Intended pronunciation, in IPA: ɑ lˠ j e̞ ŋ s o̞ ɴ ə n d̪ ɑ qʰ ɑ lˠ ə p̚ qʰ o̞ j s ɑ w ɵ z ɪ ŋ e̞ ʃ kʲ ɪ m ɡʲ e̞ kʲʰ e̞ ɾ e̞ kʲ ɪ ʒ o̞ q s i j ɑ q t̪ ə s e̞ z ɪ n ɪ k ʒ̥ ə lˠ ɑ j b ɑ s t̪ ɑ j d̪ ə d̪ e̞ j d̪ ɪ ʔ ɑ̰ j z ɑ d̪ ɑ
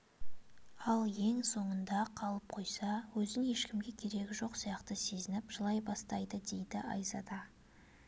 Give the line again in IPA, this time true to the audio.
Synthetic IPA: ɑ lˠ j e̞ ŋ s o̞ ɴ ə n d̪ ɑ qʰ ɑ lˠ ə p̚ qʰ o̞ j s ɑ w ɵ z ɪ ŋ e̞ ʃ kʲ ɪ m ɡʲ e̞ kʲʰ e̞ ɾ e̞ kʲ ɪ ʒ o̞ q s i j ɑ q t̪ ə s e̞ z ɪ n ɪ p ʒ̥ ə lˠ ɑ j b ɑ s t̪ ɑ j d̪ ə d̪ e̞ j d̪ ɪ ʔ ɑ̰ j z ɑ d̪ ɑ

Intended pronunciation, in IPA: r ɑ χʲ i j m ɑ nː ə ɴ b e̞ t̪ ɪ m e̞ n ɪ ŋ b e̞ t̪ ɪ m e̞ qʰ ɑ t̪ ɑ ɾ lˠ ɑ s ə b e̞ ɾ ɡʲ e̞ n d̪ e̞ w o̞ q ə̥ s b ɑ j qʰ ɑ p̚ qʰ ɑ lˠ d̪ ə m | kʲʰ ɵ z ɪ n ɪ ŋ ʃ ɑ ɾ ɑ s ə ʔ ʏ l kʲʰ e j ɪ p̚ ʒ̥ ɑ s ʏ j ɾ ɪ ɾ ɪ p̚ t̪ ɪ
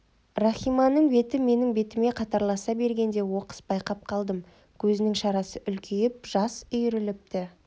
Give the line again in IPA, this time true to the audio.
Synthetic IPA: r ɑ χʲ i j m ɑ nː ə ɴ b e̞ t̪ ɪ m e̞ n ɪ ŋ b e̞ t̪ ɪ m e̞ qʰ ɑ t̪ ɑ ɾ lˠ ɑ s ɑ b e̞ ɾ ɡʲ e̞ n d̪ e̞ w o̞ q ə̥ s b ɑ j q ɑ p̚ qʰ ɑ lˠ d̪ ə m | kʲʰ ɵ z ɪ n ɪ ŋ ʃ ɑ ɾ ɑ s ə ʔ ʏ l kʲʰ e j ɪ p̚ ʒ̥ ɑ s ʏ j ɾ ɪ l ɪ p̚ t̪ ɪ

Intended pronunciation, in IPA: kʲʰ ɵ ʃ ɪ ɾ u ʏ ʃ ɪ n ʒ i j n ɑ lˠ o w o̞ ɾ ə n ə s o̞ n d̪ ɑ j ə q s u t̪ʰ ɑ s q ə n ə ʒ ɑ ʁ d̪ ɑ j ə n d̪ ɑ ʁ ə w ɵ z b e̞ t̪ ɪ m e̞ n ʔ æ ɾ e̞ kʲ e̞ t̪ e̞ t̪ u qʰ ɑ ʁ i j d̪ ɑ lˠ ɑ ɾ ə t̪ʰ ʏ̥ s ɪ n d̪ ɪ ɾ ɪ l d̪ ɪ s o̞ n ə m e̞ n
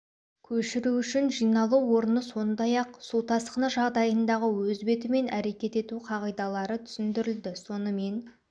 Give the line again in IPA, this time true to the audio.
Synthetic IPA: kʲʰ ɵ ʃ ɪ ɾ u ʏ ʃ ɪ n ʒ i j n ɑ lˠ u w o̞ ɾ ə n ə s o̞ n d̪ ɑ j ɑ q s u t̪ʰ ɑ s q ə n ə ʒ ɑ ʁ d̪ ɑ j ə n d̪ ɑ ʁ ə w ɵ z b e̞ t̪ ɪ m e̞ n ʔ æ ɾ e̞ kʲ e̞ t̪ e̞ t̪ u qʰ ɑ ʁ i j d̪ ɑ lˠ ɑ ɾ ə t̪ʰ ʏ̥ s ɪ n d̪ ɪ ɾ ɪ l d̪ ɪ s o̞ n ə m e̞ n

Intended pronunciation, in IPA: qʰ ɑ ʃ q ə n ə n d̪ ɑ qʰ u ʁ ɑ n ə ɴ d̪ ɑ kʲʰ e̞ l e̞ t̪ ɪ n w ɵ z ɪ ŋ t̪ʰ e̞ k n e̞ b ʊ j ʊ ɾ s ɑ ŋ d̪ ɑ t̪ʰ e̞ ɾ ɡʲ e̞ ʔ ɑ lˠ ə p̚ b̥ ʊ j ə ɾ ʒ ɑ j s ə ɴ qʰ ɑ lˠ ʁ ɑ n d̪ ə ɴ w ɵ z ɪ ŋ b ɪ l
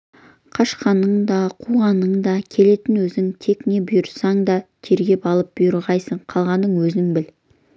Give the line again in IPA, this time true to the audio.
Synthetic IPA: qʰ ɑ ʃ q ɑ n ə ɴ d̪ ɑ qʰ u ʁ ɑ n ə ɴ d̪ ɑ kʲʰ e̞ l e̞ t̪ ɪ n w ɵ z ɪ ŋ t̪ʰ e̞ k n e̞ b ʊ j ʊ ɾ s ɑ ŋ d̪ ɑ t̪ʰ e̞ ɾ ɡʲ e̞ p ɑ lˠ ə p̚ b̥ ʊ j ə ɾ ʁ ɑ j s ə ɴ qʰ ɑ lˠ ʁ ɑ n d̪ ə ɴ w ɵ z ɪ ŋ b ɪ l

